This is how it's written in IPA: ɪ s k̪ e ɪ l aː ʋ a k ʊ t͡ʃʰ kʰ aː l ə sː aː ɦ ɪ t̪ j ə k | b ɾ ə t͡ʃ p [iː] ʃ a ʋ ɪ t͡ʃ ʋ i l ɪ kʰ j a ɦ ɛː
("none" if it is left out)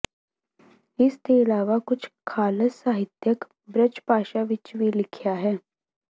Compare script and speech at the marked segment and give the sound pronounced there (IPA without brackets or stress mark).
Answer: aː